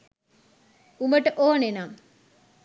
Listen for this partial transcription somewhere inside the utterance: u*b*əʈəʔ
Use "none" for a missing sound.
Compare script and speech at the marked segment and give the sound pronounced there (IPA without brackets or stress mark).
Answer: m